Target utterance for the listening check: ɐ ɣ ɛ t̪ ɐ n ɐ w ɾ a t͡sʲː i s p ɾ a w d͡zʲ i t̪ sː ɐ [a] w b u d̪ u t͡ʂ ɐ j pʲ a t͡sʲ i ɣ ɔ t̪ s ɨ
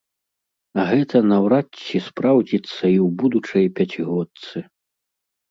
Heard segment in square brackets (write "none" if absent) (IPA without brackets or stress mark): i